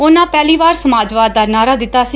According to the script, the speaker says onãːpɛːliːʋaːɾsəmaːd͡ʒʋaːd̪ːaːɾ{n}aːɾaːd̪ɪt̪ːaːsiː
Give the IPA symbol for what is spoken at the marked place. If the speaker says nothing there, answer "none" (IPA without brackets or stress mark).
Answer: n